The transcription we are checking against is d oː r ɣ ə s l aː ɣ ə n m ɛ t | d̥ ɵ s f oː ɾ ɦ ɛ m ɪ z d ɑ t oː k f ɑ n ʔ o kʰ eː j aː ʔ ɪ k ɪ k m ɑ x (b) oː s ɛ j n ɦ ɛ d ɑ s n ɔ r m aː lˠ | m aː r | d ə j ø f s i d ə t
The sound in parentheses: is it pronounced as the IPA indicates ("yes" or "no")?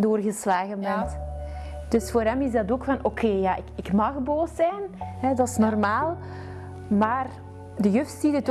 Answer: yes